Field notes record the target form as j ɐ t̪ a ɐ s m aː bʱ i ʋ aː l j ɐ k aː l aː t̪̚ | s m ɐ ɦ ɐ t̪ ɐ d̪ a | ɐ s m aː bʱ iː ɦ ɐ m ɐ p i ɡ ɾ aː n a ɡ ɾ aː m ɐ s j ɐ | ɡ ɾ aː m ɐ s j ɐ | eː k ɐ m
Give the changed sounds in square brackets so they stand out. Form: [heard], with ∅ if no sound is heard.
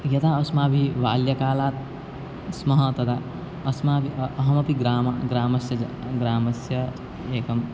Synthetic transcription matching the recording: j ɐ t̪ a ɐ s m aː bʱ i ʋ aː l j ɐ k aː l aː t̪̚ | s m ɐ ɦ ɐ t̪ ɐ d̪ a | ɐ s m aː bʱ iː ɦ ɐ m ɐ p i ɡ ɾ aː [m] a ɡ ɾ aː m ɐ s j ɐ | ɡ ɾ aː m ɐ s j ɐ | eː k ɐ m